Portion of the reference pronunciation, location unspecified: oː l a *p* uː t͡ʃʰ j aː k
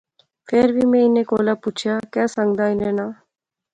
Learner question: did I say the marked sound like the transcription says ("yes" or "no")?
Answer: yes